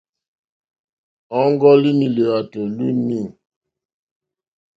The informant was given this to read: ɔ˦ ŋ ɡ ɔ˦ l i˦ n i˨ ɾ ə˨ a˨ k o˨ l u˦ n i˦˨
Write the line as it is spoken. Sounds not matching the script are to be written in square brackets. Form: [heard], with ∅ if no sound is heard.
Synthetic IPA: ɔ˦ ŋ ɡ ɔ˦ l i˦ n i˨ [l] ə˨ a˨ [t] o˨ l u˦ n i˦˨